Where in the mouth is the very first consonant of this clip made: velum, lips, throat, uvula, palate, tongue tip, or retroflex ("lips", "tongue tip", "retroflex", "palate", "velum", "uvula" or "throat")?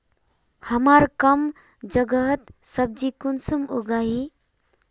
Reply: throat